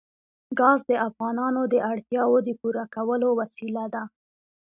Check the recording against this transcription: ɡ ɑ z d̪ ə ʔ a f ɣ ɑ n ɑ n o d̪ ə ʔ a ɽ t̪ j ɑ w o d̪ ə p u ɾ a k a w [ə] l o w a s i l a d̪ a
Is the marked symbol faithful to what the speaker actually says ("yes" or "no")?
yes